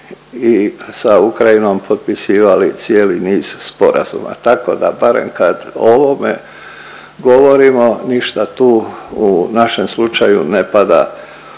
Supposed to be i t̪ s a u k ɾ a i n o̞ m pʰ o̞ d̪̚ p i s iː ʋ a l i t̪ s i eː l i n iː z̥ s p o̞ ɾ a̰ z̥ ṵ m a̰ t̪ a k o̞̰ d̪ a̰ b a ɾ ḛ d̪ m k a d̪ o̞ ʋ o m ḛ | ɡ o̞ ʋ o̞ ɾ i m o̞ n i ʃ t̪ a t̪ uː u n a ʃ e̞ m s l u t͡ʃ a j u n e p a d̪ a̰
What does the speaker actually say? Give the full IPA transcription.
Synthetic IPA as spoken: i s a u k ɾ a i n o̞ m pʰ o̞ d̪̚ p i s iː ʋ a l i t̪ s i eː l i n iː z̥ s p o̞ ɾ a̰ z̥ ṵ m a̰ t̪ a k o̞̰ d̪ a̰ b a ɾ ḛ m k a d̪ o̞ ʋ o m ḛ | ɡ o̞ ʋ o̞ ɾ i m o̞ n i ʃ t̪ a t̪ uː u n a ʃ e̞ m s l u t͡ʃ a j u n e p a d̪ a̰